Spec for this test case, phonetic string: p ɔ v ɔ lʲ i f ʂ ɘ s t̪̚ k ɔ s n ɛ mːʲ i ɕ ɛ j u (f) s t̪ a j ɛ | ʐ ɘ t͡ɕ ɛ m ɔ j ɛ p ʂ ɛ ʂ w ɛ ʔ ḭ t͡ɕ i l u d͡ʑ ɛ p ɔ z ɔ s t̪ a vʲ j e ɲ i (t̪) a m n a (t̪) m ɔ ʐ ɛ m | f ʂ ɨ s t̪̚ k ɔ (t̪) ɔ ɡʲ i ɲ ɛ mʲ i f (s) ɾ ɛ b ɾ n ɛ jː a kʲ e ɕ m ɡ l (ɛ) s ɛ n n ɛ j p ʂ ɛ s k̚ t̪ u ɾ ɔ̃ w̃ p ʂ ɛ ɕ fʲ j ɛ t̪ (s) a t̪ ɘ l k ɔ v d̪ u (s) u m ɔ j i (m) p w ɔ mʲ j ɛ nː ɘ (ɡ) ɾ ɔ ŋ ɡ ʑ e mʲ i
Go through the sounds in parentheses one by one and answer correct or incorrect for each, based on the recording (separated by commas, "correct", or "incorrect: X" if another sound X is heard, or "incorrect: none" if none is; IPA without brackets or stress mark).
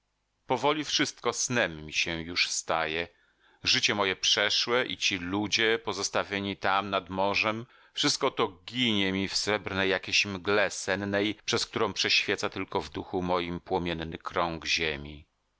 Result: incorrect: ʂ, correct, incorrect: d̪, correct, correct, correct, correct, incorrect: x, correct, incorrect: k